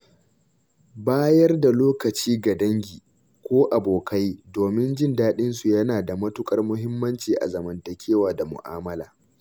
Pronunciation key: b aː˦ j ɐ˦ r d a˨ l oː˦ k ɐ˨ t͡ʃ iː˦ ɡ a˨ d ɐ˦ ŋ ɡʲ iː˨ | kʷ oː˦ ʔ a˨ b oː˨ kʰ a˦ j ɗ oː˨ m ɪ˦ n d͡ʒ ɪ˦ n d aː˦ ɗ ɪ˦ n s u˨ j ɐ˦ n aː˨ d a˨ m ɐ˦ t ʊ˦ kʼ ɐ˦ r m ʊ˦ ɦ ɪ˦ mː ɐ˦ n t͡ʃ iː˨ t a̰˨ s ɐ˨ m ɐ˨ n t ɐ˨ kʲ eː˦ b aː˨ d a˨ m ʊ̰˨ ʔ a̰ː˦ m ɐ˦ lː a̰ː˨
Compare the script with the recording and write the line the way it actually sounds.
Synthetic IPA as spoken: b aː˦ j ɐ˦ r d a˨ l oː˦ k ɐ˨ t͡ʃ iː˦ ɡ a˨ d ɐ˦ ŋ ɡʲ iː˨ | kʷ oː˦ ʔ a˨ b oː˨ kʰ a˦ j d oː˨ m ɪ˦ n d͡ʒ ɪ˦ n d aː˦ ɗ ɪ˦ n s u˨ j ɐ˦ n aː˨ d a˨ m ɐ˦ t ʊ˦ kʼ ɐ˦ r m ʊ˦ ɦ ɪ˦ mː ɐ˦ n t͡ʃ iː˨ ʔ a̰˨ z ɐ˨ m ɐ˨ n t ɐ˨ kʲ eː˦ w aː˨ d a˨ m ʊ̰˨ ʔ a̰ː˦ m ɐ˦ l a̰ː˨